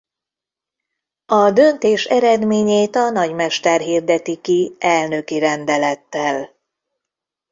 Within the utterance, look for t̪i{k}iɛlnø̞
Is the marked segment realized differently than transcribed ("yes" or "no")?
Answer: no